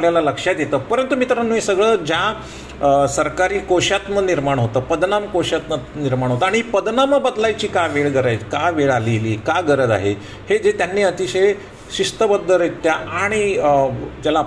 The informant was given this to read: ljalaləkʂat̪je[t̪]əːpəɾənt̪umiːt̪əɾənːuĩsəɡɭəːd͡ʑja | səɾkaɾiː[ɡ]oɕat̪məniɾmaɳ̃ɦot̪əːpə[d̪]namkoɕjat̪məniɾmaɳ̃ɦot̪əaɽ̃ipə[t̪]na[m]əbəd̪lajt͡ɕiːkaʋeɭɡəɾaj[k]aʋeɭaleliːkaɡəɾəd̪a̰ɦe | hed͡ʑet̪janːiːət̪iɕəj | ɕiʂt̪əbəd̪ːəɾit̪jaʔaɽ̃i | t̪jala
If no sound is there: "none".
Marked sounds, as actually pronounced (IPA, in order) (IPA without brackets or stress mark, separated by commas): t̪, k, d̪, d̪, m, k